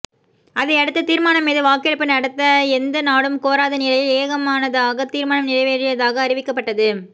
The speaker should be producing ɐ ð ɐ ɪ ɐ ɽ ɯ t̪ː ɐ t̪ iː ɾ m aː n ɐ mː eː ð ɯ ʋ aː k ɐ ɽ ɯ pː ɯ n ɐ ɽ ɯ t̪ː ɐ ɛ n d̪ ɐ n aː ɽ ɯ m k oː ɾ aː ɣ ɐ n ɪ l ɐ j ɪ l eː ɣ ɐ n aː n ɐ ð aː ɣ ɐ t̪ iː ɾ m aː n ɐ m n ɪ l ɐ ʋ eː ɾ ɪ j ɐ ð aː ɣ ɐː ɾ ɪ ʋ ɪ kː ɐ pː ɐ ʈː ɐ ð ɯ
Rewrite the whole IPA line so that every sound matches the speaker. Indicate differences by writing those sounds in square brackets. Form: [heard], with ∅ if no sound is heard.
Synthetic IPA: ɐ ð ɐ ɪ ɐ ɽ ɯ t̪ː ɐ t̪ iː ɾ m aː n ɐ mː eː ð ɯ ʋ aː k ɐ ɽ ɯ pː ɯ n ɐ ɽ ɯ t̪ː ɐ ɛ n d̪ ɐ n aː ɽ ɯ m k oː ɾ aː [ð] ɐ n ɪ l ɐ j ɪ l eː ɣ ɐ [m] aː n ɐ ð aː ɣ ɐ t̪ iː ɾ m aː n ɐ m n ɪ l ɐ ʋ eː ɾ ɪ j ɐ ð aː ɣ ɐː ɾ ɪ ʋ ɪ kː ɐ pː ɐ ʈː ɐ ð ɯ